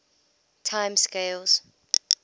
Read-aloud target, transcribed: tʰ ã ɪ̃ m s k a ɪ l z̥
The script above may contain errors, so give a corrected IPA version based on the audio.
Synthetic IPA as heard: tʰ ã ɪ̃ m s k e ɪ l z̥